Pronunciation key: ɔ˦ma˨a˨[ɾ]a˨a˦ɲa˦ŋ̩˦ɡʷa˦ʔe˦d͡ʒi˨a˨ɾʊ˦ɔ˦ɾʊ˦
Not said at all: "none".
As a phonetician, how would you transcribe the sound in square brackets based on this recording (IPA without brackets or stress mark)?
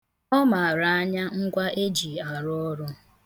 ɾ